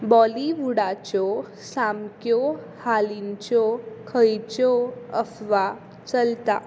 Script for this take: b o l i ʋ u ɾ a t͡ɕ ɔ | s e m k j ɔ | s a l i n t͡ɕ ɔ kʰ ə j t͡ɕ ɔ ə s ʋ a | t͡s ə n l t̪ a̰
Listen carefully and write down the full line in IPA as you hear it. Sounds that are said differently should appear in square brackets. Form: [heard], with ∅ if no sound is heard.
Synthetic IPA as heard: b [ɔ] l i ʋ u [ɽ] a t͡ɕ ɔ | s [a] m k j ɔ | [h] a l i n t͡ɕ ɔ kʰ ə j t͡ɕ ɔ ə [f] ʋ a | t͡s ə [∅] l t̪ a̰